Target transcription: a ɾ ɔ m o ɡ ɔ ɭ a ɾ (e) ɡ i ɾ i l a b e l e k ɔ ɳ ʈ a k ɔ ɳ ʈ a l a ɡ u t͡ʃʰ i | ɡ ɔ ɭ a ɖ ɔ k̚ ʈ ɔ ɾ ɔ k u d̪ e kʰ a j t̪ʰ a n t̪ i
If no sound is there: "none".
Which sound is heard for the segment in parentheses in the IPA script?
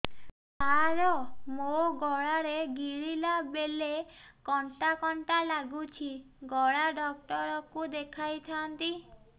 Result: e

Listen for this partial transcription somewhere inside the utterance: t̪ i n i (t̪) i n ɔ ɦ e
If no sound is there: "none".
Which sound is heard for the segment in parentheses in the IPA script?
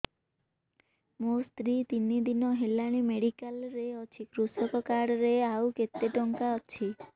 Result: d̪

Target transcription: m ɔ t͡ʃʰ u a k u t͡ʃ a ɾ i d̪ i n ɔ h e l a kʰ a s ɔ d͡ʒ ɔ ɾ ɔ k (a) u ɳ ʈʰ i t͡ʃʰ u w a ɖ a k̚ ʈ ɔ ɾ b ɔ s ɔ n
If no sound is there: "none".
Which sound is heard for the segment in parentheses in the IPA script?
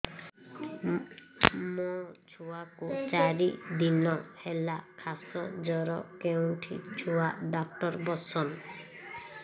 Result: e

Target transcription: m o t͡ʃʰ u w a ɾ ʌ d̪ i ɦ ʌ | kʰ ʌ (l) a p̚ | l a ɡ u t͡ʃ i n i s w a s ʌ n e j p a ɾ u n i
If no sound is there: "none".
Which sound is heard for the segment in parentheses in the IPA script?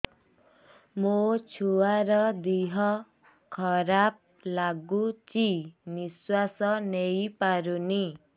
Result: ɾ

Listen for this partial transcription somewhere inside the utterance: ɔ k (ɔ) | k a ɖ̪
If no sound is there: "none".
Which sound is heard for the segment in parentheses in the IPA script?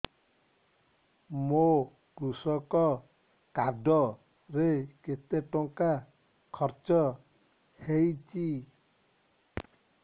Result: ɔ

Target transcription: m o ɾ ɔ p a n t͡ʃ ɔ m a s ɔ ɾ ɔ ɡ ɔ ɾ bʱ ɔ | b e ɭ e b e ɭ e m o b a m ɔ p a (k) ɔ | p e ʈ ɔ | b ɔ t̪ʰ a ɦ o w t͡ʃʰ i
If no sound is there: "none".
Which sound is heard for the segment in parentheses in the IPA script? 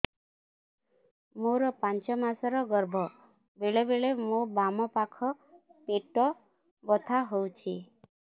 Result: kʰ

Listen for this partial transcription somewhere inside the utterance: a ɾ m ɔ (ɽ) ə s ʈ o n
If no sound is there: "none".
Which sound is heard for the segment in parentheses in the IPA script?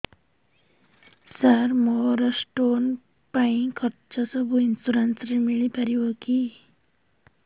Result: ɾ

